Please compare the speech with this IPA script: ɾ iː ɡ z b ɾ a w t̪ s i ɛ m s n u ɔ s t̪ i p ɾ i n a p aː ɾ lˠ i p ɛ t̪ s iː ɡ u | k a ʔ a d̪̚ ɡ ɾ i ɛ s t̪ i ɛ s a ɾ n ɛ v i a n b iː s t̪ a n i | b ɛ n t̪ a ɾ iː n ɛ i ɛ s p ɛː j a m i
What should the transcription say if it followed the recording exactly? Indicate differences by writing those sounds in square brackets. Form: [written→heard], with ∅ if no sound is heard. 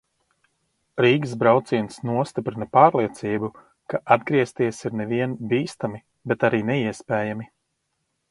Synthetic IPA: ɾ iː ɡ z b ɾ a w t̪ s i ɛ [m→n] s n u ɔ s t̪ i p ɾ i n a p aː ɾ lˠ i [p→∅] ɛ t̪ s iː [ɡ→b] u | k a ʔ a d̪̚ ɡ ɾ i ɛ s t̪ i ɛ s [a→i] ɾ n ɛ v i [a→ɛ] n b iː s t̪ a [n→m] i | b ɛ [n→∅] t̪ a ɾ iː n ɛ i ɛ s p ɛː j a m i